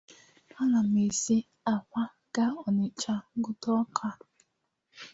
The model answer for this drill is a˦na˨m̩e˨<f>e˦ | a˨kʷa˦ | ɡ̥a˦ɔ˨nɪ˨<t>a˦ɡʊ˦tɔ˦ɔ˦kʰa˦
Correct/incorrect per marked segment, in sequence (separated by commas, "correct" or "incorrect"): incorrect, incorrect